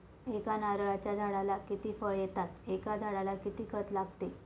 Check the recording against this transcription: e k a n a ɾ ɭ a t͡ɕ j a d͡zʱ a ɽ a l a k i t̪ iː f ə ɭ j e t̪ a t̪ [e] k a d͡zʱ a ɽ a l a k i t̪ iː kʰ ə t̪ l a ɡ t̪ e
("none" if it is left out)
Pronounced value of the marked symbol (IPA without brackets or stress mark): e